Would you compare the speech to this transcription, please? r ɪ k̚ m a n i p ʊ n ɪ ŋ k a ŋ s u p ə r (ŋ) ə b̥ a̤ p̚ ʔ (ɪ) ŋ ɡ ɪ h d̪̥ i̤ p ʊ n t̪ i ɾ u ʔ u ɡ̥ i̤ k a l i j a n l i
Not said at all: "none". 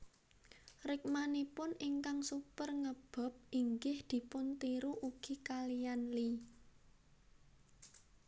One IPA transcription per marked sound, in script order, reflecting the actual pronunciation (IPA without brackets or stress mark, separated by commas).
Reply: ŋ, i